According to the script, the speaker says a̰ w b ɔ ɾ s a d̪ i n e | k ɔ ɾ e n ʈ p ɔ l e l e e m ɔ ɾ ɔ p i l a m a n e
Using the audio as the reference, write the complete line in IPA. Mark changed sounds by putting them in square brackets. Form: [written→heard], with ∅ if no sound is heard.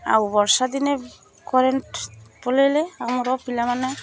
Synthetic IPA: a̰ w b ɔ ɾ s a d̪ i n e | k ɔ ɾ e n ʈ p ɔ l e l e [e→a] m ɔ ɾ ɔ p i l a m a n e